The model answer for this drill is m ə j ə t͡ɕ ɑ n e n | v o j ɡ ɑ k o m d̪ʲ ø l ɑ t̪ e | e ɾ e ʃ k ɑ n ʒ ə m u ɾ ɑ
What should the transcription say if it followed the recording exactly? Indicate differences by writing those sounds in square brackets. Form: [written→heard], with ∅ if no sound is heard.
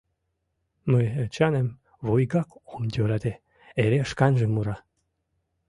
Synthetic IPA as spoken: m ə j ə t͡ɕ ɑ n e [n→m] | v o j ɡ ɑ k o m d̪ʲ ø [l→ɾ] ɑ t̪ e | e ɾ e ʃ k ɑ n ʒ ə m u ɾ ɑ